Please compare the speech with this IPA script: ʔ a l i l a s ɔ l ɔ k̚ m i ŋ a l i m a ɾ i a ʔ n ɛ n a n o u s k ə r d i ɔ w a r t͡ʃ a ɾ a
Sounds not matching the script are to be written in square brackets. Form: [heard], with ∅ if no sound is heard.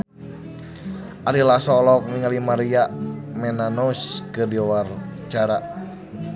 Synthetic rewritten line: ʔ a l i l a s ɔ l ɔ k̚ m i ŋ a l i m a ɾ i a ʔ [m] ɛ n a n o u s k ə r d i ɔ w a r t͡ʃ a ɾ a